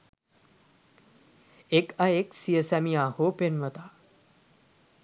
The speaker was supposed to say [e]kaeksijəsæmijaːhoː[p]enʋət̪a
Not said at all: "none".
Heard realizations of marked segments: e, p

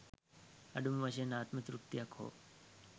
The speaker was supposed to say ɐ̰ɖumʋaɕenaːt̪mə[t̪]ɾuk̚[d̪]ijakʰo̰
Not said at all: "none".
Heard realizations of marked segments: t̪, t̪

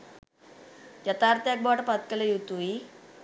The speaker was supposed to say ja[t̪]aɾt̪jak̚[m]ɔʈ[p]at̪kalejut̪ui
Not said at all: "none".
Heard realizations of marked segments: t̪, b, p

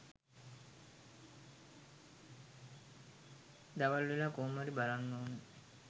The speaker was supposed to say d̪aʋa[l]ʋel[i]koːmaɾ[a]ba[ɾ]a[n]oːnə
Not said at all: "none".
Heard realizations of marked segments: l, a, i, l, nː

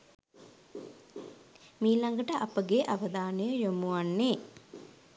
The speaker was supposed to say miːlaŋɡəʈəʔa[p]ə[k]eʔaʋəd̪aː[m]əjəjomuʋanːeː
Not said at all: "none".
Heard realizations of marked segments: p, ɡ, n

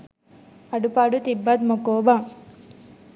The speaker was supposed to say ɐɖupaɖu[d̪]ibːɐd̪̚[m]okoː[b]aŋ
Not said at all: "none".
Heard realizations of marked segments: t̪, m, b

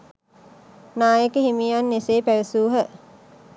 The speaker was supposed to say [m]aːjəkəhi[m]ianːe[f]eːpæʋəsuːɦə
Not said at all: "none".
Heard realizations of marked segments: n, m, s

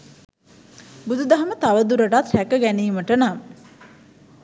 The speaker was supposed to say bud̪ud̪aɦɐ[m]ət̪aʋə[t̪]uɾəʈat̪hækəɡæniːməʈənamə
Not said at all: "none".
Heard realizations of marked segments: m, d̪

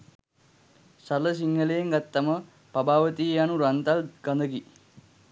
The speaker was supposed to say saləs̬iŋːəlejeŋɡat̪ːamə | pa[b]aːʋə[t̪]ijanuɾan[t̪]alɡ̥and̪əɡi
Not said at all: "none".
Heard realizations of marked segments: b, t̪, t̪

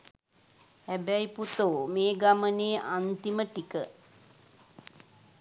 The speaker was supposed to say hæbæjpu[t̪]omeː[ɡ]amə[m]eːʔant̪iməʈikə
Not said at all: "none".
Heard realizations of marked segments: t̪, ɡ, n

